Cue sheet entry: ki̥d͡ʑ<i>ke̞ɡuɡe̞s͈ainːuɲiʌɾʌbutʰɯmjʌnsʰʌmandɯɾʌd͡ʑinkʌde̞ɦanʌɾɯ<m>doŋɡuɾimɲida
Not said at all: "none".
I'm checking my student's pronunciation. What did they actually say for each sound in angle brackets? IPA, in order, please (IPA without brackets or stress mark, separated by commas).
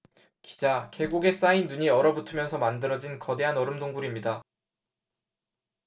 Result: a, m